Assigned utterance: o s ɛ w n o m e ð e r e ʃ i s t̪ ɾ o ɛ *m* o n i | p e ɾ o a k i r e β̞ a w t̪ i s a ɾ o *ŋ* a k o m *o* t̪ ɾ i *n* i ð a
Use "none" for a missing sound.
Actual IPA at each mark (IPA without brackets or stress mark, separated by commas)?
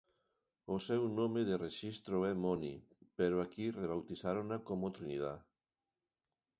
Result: m, n, o, n